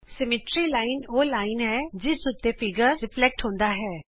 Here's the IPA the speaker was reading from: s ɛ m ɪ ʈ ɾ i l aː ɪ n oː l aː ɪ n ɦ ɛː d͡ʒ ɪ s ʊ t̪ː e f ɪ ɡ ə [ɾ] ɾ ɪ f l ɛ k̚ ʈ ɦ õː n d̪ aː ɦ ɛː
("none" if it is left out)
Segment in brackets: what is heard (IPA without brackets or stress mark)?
ɾ